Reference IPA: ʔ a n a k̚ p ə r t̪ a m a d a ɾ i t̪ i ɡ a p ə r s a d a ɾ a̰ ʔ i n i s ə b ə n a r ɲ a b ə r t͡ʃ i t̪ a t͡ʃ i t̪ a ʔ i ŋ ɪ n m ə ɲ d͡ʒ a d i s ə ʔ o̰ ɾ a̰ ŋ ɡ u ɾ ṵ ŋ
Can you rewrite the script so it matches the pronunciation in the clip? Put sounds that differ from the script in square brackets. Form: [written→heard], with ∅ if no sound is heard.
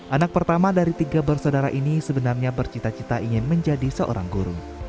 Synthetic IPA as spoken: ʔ a n a k̚ p ə r t̪ a m a d a ɾ i t̪ i ɡ a [p→b] ə r s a d a ɾ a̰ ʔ i n i s ə b ə n a r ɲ a b ə r t͡ʃ i t̪ a t͡ʃ i t̪ a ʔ i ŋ ɪ n m ə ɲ d͡ʒ a d i s ə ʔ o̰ ɾ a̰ ŋ ɡ u ɾ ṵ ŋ